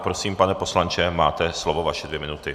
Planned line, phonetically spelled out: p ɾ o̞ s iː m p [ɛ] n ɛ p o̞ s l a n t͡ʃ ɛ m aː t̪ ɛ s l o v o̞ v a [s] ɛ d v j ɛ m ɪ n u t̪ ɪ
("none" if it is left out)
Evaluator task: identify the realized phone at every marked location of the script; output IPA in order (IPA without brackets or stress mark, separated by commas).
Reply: a, ʃ